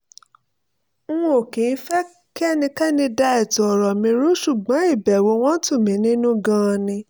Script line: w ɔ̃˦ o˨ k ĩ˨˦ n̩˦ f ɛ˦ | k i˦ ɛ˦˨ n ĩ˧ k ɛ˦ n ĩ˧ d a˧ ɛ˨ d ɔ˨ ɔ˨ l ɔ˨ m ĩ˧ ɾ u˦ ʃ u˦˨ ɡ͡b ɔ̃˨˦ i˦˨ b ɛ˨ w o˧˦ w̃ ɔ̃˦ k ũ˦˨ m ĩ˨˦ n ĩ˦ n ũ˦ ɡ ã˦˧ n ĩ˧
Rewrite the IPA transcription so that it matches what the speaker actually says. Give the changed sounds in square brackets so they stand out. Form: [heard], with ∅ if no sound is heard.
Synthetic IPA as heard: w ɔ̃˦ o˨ k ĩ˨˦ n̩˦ f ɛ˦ | k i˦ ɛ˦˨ n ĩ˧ k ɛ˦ n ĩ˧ d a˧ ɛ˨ [t] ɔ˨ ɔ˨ [ɾ] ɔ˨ m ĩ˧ ɾ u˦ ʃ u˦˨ ɡ͡b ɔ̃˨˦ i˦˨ b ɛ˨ w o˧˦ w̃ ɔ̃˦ [t] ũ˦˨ m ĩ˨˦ n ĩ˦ n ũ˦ ɡ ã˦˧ n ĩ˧